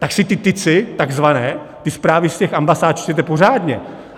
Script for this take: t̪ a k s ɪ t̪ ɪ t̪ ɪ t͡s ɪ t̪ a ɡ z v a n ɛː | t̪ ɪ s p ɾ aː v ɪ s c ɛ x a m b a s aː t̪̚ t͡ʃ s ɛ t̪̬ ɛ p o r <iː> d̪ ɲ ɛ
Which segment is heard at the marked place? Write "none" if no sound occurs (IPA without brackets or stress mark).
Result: aː